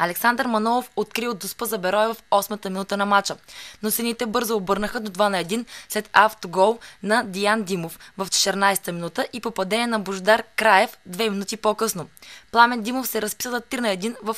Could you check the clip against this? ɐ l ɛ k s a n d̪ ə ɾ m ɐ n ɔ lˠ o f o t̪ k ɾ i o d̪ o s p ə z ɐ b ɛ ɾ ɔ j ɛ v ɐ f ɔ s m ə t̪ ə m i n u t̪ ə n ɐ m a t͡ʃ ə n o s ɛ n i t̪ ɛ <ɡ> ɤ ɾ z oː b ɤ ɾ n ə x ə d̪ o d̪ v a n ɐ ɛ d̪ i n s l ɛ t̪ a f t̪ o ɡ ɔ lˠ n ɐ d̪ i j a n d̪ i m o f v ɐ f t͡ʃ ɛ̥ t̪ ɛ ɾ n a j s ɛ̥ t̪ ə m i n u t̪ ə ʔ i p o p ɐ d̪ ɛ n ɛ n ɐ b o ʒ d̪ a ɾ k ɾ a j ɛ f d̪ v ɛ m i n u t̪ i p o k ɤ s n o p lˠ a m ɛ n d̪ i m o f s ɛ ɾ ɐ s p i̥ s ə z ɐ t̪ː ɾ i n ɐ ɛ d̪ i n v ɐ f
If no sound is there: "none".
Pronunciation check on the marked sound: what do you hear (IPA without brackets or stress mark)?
b